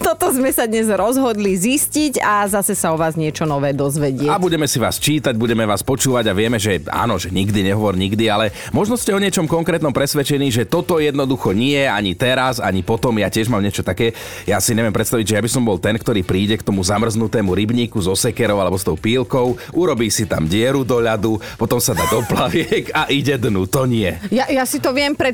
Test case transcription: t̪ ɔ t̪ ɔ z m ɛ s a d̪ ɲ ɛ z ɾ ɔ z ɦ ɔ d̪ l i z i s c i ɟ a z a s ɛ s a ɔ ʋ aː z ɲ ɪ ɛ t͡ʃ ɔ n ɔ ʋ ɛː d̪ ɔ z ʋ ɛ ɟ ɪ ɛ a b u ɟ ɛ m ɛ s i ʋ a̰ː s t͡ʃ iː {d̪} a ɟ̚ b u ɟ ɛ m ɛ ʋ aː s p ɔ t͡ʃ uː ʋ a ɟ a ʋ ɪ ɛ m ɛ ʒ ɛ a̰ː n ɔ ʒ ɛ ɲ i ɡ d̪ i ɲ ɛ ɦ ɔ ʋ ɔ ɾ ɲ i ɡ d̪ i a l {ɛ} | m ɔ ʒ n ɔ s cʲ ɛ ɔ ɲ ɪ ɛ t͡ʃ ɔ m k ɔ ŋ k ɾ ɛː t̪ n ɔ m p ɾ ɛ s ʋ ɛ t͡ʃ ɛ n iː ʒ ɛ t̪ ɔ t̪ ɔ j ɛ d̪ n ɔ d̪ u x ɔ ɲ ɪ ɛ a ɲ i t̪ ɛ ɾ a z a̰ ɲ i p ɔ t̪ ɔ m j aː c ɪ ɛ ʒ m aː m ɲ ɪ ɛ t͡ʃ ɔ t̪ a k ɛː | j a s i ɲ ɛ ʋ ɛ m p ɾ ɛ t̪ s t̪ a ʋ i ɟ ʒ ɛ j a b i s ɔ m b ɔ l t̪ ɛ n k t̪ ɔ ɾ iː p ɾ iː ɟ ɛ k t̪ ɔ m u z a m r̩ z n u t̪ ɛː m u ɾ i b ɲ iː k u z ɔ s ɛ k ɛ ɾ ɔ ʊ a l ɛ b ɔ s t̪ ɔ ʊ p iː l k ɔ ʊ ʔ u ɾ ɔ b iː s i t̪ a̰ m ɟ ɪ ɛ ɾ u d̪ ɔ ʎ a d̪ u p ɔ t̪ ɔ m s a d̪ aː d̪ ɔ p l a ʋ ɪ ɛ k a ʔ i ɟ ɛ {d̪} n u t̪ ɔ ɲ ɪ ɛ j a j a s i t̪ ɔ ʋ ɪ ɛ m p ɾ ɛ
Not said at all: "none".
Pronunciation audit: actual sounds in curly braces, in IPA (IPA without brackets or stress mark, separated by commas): t̪, ɛ, d̪